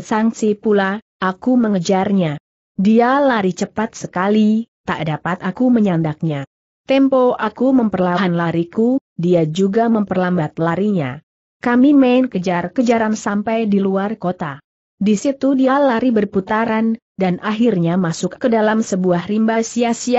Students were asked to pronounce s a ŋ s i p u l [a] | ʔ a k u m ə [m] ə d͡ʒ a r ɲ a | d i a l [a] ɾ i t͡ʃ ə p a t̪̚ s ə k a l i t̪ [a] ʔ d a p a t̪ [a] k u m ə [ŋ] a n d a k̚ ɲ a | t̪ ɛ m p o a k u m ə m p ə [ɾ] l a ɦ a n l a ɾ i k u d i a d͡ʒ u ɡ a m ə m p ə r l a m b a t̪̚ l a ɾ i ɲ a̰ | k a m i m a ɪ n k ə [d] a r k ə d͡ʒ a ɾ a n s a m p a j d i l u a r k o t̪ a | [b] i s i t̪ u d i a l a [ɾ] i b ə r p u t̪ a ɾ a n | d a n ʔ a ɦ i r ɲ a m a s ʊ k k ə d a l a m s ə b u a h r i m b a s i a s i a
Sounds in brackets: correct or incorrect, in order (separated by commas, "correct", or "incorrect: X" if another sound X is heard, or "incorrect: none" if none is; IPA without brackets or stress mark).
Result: correct, incorrect: ŋ, correct, correct, correct, incorrect: ɲ, incorrect: r, incorrect: d͡ʒ, incorrect: d, correct